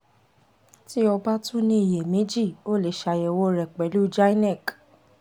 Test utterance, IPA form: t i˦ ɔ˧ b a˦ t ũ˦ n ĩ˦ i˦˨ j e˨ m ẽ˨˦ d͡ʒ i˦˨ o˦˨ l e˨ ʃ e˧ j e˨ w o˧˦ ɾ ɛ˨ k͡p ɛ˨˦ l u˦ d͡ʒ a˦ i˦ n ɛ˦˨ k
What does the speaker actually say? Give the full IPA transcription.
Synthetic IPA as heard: t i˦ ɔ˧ b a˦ t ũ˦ n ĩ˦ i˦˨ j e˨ m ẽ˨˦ d͡ʒ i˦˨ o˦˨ l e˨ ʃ a˧ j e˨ w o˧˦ ɾ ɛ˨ k͡p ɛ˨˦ l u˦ d͡ʒ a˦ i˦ n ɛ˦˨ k